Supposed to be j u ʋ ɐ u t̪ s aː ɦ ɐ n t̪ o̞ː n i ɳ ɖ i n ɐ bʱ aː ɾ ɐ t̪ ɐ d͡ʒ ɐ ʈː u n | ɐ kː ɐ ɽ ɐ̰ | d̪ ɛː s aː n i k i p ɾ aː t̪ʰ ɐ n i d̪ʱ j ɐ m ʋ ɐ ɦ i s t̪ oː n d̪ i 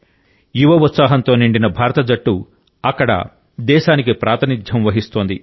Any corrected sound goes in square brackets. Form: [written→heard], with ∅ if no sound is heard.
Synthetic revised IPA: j u ʋ ɐ u t̪ s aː ɦ ɐ n t̪ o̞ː n i ɳ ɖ i n ɐ bʱ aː ɾ ɐ t̪ ɐ d͡ʒ ɐ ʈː u [n→∅] | ɐ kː ɐ ɽ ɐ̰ | d̪ ɛː [s→ʃ] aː n i k i p ɾ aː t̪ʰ ɐ n i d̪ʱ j ɐ m ʋ ɐ ɦ i s t̪ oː n d̪ i